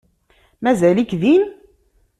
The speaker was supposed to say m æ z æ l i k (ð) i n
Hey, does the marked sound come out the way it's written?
yes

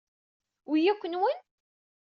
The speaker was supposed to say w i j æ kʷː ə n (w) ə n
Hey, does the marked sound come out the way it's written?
yes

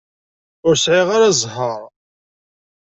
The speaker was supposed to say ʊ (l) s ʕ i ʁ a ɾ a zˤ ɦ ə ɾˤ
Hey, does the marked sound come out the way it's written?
no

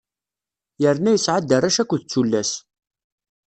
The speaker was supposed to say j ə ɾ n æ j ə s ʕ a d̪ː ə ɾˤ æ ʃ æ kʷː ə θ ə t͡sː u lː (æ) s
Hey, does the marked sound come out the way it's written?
yes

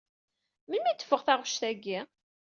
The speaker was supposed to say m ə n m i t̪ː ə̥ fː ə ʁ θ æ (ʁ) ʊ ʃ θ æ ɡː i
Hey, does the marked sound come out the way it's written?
yes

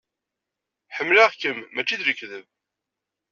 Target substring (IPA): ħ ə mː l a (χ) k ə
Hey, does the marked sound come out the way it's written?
no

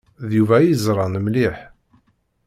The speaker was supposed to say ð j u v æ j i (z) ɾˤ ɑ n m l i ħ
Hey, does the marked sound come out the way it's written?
yes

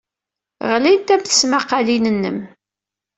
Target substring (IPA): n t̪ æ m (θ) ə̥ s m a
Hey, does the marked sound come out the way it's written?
yes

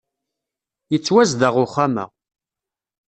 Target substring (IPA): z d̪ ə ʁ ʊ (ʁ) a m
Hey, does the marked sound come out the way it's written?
no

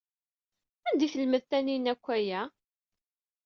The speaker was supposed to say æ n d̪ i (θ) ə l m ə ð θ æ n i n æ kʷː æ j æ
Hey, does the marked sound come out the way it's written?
yes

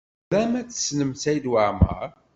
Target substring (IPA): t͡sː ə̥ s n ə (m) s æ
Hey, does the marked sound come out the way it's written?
yes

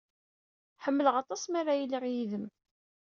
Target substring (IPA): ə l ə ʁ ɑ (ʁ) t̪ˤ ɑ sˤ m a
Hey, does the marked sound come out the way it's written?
no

